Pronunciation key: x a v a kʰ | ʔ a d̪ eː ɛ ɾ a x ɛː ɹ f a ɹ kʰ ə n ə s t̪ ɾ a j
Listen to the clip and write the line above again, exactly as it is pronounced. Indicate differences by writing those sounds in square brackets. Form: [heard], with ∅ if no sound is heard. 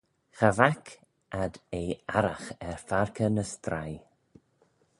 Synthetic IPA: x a v a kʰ | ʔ a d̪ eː [a] ɾ a x [ɛ] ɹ f a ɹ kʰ ə n ə s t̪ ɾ a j